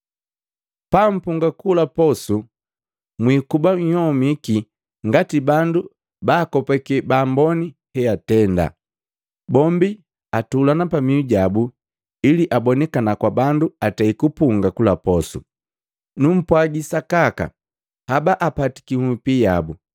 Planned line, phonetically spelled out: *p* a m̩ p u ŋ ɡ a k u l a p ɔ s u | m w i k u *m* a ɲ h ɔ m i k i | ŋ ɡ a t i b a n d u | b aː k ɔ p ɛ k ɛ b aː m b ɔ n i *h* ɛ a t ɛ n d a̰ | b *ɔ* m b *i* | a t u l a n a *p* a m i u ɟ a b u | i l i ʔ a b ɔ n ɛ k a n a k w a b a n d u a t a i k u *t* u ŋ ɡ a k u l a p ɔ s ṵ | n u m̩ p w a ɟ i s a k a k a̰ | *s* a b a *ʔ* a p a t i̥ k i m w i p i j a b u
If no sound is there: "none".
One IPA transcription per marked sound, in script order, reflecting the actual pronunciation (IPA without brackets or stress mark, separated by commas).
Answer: p, b, h, ɔ, i, p, p, h, ʔ